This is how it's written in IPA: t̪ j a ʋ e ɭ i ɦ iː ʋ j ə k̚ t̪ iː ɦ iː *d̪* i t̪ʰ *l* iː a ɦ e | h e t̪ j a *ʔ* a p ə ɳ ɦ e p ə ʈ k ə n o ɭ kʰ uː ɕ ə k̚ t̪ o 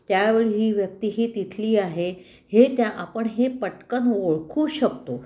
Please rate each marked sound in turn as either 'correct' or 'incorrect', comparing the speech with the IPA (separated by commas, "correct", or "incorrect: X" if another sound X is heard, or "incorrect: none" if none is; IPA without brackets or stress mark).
incorrect: t̪, correct, correct